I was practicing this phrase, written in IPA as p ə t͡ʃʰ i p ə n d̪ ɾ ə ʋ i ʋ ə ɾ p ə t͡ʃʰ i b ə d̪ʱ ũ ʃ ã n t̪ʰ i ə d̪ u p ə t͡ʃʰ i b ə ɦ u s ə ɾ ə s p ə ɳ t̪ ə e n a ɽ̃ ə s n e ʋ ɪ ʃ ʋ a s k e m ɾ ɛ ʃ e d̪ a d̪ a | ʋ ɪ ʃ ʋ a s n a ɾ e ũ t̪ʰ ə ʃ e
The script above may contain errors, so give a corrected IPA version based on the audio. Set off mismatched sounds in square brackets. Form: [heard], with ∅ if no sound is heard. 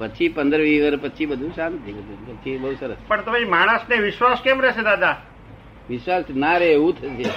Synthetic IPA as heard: p ə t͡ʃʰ i p ə n d̪ ɾ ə ʋ i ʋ ə ɾ p ə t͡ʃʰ i b ə d̪ʱ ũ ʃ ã n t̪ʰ i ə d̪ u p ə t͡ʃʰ i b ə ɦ u s ə ɾ ə s p ə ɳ t̪ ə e [m] a ɽ̃ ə s n e ʋ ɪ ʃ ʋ a s k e m ɾ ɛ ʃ e d̪ a d̪ a | ʋ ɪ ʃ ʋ a s n a ɾ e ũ t̪ʰ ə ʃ e